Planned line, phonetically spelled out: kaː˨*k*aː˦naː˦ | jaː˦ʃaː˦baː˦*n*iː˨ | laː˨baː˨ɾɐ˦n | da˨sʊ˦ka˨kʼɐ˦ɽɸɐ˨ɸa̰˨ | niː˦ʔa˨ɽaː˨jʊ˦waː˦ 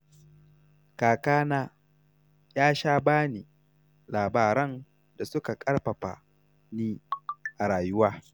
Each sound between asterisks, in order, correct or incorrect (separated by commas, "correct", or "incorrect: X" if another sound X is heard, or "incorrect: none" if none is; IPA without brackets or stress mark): correct, correct